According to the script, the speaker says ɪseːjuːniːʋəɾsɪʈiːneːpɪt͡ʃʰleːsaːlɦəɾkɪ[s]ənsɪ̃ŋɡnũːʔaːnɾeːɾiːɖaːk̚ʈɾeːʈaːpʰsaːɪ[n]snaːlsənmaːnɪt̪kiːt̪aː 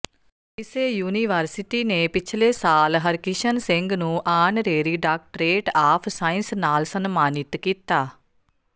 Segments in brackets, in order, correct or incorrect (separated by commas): incorrect, correct